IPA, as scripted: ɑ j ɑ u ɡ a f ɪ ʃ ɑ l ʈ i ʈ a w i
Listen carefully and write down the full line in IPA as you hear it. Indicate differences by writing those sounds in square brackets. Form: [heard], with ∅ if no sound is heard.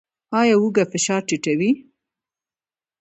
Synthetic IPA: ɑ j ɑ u ɡ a f ɪ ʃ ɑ [ɾ] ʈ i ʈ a w i